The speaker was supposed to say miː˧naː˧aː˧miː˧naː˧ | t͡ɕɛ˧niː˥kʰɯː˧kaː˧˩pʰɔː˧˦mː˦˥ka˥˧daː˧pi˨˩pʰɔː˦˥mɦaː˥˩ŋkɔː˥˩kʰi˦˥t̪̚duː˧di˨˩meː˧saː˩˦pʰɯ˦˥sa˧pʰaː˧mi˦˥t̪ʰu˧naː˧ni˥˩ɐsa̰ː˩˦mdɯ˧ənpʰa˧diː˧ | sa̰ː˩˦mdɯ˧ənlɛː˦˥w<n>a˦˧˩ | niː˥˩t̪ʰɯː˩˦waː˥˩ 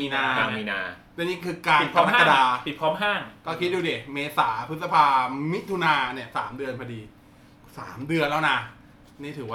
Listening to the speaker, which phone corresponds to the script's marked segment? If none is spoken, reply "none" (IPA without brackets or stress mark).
n